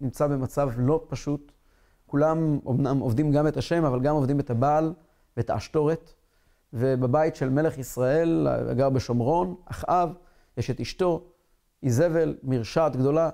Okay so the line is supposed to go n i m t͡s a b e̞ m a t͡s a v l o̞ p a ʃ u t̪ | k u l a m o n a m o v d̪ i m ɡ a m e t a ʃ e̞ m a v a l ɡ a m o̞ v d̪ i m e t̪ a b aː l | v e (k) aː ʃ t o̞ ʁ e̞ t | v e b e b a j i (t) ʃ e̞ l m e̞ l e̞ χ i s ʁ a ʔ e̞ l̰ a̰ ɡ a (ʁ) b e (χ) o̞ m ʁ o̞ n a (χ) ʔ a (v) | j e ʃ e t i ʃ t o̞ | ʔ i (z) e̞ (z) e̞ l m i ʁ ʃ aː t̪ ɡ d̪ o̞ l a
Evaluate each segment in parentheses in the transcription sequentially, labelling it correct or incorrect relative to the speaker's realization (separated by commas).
incorrect, correct, correct, incorrect, correct, correct, correct, incorrect